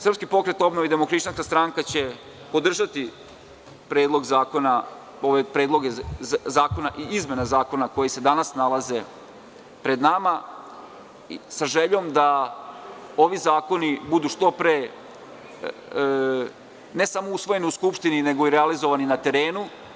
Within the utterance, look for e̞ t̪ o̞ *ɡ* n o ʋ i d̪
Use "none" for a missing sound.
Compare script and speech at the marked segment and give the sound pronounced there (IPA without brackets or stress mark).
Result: b